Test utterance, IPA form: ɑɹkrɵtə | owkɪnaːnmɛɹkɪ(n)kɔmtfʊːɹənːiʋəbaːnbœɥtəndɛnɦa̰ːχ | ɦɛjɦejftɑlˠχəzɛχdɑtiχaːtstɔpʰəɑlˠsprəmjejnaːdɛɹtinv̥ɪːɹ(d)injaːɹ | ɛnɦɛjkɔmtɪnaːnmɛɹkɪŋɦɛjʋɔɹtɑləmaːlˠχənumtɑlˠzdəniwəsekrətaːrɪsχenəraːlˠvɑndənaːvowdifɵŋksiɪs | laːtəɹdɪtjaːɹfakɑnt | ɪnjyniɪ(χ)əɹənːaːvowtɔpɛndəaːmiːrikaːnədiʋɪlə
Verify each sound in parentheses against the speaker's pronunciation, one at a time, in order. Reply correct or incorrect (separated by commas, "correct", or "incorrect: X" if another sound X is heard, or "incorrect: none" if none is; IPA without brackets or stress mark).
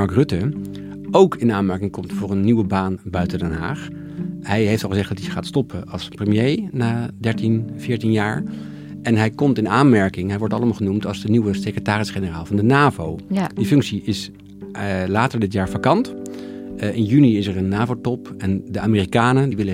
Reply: incorrect: ŋ, incorrect: t, incorrect: s